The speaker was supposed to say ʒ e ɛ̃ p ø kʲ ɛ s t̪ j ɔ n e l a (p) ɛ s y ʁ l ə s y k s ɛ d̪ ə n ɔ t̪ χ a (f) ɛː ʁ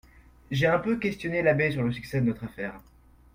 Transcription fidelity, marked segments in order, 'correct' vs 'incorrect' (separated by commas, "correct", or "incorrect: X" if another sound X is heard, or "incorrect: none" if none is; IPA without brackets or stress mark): incorrect: b, correct